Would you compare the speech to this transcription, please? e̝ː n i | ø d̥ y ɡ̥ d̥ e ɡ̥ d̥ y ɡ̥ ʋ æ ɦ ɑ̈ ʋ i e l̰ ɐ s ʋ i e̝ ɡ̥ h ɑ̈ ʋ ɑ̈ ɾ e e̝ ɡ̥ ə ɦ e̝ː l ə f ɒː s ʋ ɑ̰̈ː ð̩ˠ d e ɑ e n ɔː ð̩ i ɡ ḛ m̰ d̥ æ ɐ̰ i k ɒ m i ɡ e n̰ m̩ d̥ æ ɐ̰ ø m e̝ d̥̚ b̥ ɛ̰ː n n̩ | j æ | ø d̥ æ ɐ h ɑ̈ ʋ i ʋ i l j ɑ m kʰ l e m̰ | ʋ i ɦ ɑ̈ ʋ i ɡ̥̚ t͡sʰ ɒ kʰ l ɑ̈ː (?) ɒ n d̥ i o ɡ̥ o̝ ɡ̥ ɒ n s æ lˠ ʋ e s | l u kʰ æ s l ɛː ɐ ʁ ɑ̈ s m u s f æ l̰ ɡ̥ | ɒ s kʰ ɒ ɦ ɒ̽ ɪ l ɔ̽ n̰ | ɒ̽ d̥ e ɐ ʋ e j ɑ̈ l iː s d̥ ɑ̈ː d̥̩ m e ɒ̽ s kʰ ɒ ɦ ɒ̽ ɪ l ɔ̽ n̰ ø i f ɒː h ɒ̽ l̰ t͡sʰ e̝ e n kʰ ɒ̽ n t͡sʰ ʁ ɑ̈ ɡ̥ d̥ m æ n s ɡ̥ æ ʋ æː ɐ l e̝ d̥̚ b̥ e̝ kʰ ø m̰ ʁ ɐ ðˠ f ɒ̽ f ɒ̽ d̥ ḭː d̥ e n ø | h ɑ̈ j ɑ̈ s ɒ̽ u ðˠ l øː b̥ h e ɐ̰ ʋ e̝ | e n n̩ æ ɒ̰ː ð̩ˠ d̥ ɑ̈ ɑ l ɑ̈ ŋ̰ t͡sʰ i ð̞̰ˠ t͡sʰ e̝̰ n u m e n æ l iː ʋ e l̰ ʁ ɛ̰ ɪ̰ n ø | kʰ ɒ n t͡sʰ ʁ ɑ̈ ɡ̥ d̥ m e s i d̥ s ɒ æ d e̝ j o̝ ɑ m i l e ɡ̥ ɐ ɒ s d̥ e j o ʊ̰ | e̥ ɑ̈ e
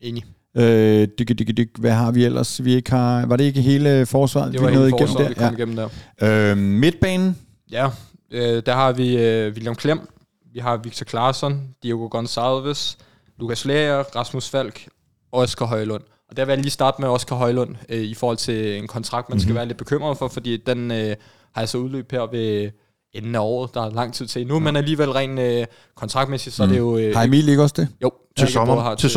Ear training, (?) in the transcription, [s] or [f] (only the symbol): s